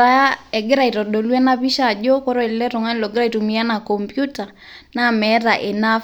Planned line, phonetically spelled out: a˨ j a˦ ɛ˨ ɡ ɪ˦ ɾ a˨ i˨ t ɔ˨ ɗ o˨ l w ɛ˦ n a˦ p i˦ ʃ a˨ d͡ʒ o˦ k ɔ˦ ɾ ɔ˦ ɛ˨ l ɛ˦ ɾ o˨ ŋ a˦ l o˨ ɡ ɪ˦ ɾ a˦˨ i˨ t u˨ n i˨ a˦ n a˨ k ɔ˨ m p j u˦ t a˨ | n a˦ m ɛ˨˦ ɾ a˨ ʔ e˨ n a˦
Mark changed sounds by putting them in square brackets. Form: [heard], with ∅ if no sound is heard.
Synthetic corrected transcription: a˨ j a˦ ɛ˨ ɡ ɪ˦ ɾ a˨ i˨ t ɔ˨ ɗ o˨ l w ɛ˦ n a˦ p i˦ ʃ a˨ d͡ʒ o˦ k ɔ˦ ɾ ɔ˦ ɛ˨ l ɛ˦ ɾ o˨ ŋ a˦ l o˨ ɡ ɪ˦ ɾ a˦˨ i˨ t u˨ [m] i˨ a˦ n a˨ k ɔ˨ m p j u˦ t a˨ | n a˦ m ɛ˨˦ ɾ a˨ ʔ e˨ n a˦